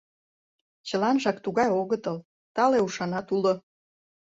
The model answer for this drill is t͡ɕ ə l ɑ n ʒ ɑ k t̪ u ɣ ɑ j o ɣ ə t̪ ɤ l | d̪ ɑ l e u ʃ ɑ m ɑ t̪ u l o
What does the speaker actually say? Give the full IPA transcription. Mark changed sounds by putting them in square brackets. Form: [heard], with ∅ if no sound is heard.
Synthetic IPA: t͡ɕ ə l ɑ n ʒ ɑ k t̪ u ɣ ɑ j o ɣ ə t̪ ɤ l | [t̪] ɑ l e u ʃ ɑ [n] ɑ t̪ u l o